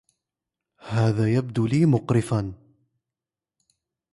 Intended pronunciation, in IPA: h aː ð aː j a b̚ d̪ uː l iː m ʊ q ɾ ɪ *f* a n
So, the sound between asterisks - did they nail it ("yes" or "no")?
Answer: yes